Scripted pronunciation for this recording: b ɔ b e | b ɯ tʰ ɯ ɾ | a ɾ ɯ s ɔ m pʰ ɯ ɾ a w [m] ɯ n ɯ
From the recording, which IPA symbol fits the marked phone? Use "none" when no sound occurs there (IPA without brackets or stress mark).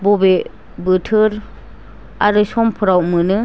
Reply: m